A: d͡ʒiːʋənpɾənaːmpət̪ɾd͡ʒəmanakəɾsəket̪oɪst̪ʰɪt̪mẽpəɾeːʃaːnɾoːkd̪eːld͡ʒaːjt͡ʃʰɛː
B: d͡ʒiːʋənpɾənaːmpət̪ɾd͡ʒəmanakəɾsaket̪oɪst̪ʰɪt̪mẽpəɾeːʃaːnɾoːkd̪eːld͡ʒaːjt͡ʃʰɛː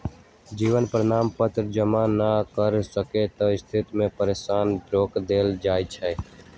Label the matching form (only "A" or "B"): A